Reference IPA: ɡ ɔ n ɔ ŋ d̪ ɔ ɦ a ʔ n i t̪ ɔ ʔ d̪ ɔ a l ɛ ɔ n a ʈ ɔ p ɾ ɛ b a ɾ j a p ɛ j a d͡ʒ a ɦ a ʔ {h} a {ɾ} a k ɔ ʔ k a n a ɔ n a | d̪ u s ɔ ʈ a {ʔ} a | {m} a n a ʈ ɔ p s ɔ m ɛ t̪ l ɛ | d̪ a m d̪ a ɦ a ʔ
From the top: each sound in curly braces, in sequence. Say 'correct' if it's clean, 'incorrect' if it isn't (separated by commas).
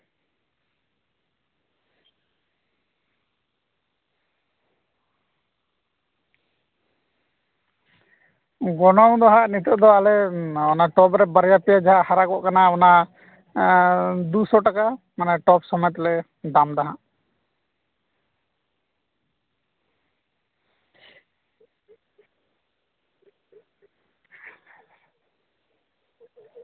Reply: correct, correct, incorrect, correct